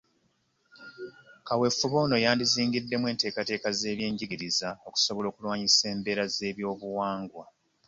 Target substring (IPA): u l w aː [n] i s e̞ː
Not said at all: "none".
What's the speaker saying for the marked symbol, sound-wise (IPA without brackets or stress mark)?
ɲ